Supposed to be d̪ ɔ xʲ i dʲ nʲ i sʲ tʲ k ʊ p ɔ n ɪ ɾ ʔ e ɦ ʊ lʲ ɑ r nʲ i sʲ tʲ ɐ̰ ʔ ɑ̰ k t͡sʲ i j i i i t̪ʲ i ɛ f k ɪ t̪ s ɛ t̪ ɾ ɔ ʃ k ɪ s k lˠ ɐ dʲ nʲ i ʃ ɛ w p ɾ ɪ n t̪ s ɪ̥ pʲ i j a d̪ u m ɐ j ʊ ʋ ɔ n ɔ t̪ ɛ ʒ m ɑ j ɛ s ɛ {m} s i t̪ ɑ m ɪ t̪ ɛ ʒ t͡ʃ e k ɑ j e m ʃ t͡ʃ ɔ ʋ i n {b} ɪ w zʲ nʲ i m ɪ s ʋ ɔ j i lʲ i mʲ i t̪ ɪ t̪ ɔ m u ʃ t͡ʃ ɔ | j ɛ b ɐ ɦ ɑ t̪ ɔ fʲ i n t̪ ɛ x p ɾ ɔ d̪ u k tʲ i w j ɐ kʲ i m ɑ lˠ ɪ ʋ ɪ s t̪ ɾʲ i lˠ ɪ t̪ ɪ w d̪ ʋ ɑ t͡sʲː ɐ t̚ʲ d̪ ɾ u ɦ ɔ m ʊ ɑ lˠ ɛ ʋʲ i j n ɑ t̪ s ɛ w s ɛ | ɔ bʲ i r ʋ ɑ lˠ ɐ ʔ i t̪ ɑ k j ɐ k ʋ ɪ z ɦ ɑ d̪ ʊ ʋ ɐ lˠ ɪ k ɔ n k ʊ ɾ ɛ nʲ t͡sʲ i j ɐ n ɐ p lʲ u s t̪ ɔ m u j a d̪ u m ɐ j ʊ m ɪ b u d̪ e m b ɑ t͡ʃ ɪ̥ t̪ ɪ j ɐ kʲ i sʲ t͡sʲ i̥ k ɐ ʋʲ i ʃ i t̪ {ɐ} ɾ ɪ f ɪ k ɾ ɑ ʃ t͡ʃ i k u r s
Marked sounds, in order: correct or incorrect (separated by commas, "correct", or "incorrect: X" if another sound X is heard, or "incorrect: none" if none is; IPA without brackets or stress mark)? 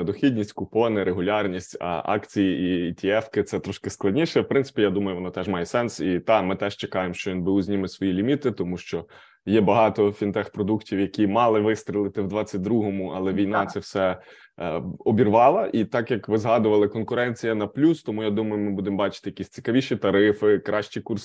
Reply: incorrect: n, correct, correct